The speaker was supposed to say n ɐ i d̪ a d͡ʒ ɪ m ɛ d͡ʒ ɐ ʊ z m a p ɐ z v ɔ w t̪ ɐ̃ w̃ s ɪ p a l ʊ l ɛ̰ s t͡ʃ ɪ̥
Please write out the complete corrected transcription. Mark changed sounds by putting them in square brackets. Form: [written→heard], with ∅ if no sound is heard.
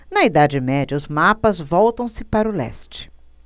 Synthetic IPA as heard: n ɐ i d̪ a d͡ʒ ɪ m ɛ d͡ʒ ɐ ʊ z m a p ɐ z v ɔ w t̪ ɐ̃ w̃ s ɪ p a [l→ɾ] ʊ l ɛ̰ s t͡ʃ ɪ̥